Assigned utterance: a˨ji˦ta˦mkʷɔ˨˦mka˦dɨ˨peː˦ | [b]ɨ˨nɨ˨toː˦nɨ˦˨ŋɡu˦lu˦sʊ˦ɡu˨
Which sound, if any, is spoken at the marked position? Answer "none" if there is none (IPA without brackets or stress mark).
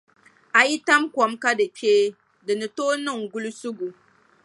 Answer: d